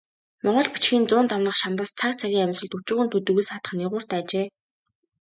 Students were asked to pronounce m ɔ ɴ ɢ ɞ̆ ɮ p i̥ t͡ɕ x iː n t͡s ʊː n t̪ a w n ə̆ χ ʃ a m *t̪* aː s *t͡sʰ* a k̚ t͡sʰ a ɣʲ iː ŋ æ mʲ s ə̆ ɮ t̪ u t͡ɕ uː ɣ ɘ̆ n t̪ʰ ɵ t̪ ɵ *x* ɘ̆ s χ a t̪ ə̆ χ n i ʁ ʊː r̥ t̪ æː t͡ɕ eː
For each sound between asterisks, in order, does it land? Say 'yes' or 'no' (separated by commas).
yes, yes, no